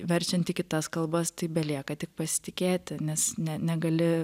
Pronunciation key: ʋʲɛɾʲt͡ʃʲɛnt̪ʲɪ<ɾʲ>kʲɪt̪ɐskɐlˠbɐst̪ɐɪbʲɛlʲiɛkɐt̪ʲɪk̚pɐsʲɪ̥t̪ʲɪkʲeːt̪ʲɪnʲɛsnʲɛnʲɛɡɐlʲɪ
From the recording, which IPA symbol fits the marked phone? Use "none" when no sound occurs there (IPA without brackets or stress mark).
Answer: none